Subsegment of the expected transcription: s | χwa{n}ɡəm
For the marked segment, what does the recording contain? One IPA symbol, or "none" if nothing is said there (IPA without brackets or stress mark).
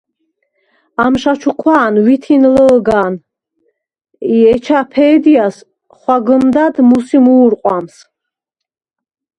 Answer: none